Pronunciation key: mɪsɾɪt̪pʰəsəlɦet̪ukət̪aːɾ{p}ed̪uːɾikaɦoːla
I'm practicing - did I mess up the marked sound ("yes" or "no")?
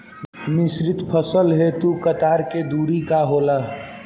yes